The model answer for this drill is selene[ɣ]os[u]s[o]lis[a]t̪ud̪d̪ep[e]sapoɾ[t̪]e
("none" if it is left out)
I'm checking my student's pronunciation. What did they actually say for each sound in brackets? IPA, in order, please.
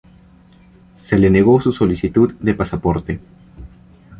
ɣ, u, o, i, a, t̪

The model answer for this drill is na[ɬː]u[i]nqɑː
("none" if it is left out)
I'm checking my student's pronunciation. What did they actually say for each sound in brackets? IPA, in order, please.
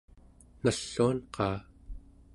ɬː, a

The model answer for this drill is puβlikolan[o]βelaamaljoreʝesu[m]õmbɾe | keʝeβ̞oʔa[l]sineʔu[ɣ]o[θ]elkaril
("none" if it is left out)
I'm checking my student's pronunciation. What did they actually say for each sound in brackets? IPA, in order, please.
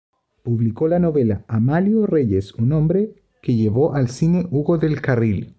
o, n, l, ɣ, ð

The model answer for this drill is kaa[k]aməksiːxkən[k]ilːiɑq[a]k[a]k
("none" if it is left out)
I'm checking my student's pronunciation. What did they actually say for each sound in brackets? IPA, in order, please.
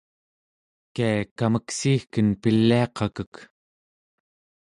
k, p, ɑ, ə

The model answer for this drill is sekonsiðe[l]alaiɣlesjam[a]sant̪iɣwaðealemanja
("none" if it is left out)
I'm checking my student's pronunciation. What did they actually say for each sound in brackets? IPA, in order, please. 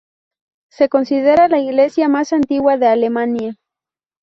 ɾ, a

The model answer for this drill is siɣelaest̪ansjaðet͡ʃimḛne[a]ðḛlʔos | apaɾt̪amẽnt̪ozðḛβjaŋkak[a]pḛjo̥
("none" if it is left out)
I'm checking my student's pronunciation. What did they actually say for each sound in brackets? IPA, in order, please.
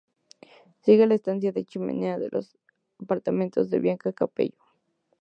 a, a

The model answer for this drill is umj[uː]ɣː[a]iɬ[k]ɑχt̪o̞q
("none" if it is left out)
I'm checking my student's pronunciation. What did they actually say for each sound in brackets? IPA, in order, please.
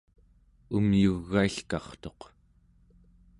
u, a, k

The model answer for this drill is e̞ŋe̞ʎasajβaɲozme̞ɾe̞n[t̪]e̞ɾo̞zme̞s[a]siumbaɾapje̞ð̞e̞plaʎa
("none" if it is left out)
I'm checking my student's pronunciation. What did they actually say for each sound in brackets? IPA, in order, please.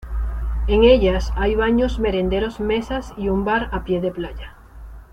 d̪, a

